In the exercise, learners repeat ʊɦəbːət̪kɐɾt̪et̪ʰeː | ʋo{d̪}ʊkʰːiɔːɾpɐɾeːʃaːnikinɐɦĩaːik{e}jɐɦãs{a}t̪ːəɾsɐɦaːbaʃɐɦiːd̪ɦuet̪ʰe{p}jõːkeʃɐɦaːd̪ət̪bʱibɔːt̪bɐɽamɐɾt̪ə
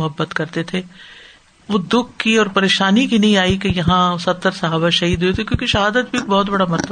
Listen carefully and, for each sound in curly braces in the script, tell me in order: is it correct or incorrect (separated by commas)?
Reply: correct, correct, incorrect, incorrect